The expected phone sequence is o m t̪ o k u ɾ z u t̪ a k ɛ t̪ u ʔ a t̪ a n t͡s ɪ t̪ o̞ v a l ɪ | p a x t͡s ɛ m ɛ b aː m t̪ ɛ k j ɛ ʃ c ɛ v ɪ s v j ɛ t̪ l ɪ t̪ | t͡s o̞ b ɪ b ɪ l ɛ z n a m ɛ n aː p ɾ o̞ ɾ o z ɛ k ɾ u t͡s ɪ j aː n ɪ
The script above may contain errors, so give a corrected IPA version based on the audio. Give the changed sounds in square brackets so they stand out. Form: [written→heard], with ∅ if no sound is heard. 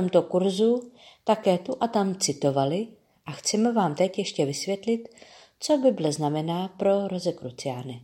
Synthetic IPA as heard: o m t̪ o k u ɾ z u t̪ a k [ɛ→ɛː] t̪ u ʔ a t̪ a [n→m] t͡s ɪ t̪ o̞ v a l ɪ | [p→ʔ] a x t͡s ɛ m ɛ [b→v] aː m t̪ ɛ [k→c] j ɛ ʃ c ɛ v ɪ s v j ɛ t̪ l ɪ t̪ | t͡s o̞ b ɪ b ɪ l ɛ z n a m ɛ n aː p ɾ o̞ ɾ o z ɛ k ɾ u t͡s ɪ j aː n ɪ